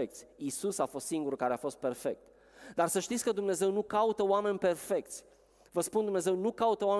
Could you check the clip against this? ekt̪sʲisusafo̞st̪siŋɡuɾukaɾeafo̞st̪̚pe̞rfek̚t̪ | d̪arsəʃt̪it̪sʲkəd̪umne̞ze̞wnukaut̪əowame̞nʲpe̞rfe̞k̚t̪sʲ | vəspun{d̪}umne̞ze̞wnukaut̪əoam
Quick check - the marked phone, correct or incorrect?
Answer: correct